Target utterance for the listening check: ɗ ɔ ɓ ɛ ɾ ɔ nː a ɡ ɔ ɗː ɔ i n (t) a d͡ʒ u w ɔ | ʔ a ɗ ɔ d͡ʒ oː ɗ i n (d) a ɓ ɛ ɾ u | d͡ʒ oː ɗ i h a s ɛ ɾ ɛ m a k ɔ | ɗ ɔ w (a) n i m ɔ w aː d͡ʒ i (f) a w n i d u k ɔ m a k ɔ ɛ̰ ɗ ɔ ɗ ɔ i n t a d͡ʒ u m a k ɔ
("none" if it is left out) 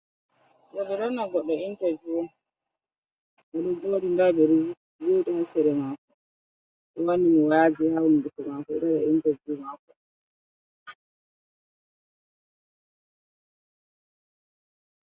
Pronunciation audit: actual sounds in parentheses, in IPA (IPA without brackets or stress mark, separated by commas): t, d, a, h